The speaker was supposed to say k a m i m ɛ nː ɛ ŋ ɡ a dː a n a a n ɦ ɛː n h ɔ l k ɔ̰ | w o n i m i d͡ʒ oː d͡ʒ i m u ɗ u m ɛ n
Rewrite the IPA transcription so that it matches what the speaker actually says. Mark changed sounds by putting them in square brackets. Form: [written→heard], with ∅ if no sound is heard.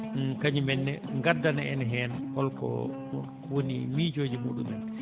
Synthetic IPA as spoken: k a [m→ɲ] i m ɛ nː ɛ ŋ ɡ a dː a n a [a→ɛ] n ɦ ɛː n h ɔ l k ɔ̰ | w o n i m i d͡ʒ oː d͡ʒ i m u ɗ u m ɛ n